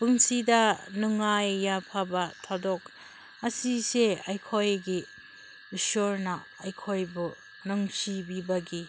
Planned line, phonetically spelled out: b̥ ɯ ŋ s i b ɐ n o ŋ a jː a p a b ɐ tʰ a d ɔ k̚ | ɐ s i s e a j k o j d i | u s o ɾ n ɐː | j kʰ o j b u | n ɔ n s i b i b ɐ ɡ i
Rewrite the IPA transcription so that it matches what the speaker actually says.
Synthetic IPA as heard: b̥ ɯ ŋ s i d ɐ n u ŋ a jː a pʰ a b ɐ tʰ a d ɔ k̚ | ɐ s i s e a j kʰ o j ɡ i | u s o ɾ n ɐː | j kʰ o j b u | n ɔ ŋ s i b i b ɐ ɡ i